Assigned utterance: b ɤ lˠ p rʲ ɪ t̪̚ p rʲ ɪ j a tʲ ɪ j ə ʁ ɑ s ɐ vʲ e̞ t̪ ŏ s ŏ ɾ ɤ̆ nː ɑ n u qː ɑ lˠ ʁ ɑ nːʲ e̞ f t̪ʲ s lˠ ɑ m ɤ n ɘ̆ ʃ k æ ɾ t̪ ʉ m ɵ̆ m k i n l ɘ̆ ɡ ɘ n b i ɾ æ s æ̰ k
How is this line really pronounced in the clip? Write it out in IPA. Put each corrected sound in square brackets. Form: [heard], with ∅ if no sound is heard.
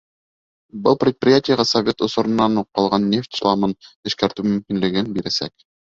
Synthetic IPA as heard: b ɤ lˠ p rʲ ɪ t̪̚ p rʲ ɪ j a tʲ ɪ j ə ʁ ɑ s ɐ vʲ e̞ t̪ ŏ s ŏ ɾ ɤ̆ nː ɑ n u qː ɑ lˠ ʁ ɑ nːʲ e̞ f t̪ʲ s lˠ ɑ m ɤ n ɘ̆ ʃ k æ ɾ t̪ ʉ m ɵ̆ m k i n l ɘ̆ ɡ ɘ n b i ɾ æ s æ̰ k